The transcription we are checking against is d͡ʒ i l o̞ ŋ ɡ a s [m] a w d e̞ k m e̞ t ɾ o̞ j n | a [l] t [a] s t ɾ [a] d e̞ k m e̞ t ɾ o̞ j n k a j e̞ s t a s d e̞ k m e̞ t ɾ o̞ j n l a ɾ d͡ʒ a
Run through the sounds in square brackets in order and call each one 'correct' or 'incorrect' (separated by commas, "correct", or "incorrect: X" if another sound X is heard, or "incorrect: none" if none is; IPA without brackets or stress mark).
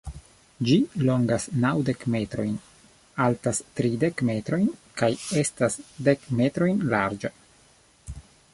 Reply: incorrect: n, correct, correct, incorrect: i